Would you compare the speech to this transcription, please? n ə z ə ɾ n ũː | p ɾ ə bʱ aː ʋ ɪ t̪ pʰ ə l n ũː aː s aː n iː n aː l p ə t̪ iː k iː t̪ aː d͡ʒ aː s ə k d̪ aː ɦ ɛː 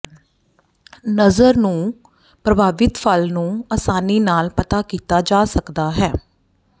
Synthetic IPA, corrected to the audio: n ə z ə ɾ n ũː | p ɾ ə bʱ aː ʋ ɪ t̪ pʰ ə l n ũː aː s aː n iː n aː l p ə t̪ aː k iː t̪ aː d͡ʒ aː s ə k d̪ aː ɦ ɛː